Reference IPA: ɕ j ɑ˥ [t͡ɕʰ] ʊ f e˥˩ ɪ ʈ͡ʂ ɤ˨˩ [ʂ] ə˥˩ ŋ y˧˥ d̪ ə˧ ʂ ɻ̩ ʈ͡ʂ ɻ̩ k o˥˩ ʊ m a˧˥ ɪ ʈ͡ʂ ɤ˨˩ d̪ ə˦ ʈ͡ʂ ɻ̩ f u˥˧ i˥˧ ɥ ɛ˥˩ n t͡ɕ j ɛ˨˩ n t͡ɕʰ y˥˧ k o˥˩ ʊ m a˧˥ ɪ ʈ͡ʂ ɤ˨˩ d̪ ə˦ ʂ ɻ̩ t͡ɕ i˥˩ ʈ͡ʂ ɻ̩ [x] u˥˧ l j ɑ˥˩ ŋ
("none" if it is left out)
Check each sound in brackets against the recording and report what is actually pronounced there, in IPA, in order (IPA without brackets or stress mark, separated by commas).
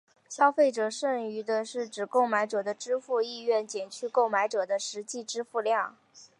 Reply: none, ʂ, f